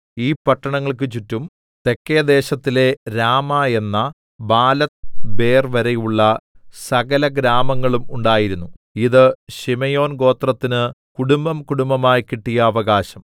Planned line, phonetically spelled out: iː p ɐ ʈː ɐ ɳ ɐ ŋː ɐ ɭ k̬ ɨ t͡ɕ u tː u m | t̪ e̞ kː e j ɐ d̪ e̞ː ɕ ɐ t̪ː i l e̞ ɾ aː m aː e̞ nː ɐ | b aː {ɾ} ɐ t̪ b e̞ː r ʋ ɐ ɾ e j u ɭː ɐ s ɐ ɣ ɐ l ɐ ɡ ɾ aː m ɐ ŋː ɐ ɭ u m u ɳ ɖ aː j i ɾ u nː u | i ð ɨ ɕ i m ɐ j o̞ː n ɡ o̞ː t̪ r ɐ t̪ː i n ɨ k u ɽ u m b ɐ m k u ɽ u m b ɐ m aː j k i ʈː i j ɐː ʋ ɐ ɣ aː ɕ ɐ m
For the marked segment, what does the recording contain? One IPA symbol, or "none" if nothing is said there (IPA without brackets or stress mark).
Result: l